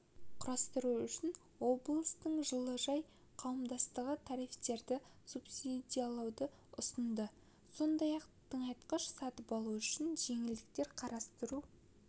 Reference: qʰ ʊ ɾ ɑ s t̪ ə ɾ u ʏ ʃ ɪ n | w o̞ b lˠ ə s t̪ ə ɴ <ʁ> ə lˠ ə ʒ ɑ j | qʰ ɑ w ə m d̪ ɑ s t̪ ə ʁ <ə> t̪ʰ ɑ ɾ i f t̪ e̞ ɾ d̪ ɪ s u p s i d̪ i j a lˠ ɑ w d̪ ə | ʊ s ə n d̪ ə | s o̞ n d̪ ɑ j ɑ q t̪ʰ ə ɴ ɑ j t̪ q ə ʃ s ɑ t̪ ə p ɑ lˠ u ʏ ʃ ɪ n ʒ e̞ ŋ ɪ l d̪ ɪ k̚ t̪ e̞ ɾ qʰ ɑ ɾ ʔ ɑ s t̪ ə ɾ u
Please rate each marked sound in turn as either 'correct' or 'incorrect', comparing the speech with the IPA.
incorrect: ʒ, correct

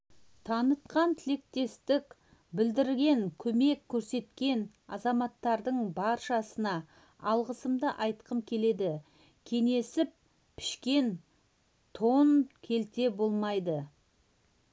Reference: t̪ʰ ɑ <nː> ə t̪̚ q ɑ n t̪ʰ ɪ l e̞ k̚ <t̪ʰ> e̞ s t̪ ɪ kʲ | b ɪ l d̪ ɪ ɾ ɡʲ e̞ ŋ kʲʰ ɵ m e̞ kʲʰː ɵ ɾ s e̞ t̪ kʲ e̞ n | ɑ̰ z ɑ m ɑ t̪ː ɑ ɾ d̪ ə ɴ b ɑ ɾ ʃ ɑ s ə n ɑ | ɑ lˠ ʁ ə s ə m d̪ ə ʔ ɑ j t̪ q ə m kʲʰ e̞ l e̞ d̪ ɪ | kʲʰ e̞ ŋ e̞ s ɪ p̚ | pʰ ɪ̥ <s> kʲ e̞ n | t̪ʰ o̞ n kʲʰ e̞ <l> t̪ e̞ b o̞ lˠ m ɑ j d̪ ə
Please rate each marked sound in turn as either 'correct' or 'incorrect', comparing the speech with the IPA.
incorrect: n, incorrect: t̪, incorrect: ʃ, correct

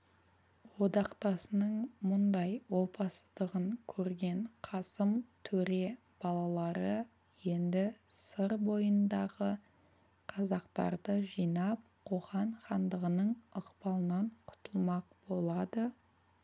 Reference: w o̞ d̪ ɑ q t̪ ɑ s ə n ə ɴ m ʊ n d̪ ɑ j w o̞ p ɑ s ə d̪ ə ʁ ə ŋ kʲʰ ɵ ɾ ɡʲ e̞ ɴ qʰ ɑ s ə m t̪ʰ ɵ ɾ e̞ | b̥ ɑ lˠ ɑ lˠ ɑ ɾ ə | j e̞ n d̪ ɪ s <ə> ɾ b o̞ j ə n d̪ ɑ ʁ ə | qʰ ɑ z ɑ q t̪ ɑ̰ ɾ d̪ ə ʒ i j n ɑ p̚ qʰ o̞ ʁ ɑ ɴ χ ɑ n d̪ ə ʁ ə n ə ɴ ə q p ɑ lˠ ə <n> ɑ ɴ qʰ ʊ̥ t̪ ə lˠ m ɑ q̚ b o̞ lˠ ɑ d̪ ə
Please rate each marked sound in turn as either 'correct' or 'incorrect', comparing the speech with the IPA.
correct, correct

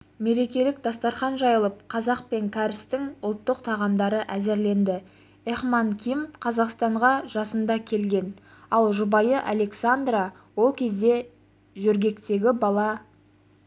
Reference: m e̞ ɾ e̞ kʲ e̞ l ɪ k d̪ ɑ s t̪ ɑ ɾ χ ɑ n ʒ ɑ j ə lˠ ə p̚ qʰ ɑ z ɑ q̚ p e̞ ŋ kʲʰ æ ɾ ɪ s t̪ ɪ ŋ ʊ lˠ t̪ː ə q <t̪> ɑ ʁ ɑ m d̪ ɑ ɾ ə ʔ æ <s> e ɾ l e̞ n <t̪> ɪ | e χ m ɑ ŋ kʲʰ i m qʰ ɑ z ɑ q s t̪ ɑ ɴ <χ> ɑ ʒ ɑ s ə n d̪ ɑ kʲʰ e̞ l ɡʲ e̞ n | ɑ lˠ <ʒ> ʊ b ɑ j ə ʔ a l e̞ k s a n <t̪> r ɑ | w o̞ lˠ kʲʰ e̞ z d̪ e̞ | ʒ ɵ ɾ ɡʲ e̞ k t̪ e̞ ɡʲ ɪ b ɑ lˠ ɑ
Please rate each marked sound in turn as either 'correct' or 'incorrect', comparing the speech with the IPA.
incorrect: t̪ʰ, incorrect: z, incorrect: d̪, incorrect: ʁ, correct, incorrect: d̪

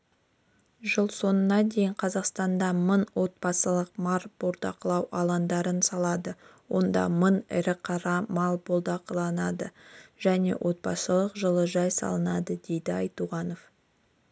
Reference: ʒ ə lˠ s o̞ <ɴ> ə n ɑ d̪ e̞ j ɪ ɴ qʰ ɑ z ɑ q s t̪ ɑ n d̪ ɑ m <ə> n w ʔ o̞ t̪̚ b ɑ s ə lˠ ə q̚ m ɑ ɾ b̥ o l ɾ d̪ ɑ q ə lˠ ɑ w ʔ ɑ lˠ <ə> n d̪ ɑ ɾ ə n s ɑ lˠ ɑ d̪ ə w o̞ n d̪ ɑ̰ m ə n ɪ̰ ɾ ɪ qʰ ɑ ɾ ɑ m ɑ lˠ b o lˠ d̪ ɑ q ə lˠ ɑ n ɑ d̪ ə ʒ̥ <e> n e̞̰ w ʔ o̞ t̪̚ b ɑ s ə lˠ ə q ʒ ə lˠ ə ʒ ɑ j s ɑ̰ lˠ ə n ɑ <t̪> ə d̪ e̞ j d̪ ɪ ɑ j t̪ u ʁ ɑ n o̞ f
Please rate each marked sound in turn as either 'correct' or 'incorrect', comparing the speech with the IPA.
incorrect: n, correct, incorrect: ɑ, incorrect: æ, incorrect: d̪

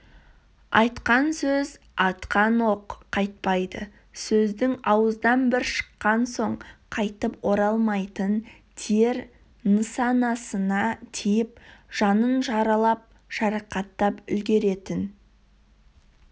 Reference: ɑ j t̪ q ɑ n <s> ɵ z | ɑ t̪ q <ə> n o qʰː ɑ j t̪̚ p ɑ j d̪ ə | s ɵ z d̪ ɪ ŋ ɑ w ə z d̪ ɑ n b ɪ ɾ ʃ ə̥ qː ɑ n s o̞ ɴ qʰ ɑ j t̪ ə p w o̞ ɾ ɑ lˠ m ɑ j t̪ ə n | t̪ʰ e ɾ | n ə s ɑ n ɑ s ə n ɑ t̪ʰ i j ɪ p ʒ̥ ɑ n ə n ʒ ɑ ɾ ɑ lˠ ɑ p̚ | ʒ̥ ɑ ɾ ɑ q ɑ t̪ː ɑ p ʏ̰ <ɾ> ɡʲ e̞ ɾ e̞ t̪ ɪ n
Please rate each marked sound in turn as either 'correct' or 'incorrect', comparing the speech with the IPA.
correct, incorrect: ɑ, incorrect: l

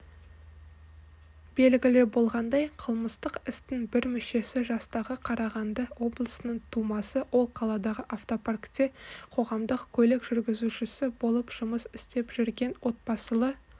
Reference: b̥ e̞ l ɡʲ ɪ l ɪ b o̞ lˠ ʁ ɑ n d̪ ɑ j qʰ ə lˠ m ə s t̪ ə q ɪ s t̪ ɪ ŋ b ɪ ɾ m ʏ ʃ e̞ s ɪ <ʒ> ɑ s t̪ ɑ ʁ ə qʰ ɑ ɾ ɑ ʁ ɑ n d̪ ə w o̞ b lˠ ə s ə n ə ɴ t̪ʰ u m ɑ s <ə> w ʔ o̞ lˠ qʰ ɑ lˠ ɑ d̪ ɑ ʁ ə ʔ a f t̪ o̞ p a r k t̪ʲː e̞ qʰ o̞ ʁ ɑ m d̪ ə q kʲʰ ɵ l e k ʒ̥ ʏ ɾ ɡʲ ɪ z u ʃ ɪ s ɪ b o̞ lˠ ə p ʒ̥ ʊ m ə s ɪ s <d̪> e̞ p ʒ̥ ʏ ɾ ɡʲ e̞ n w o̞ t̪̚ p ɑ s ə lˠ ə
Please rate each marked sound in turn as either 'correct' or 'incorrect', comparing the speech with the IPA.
correct, correct, incorrect: t̪

